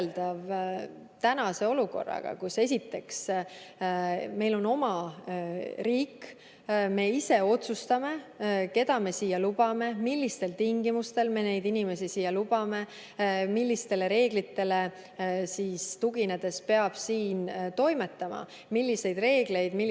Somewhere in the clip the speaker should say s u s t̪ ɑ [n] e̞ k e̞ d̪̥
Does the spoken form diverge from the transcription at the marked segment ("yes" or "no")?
yes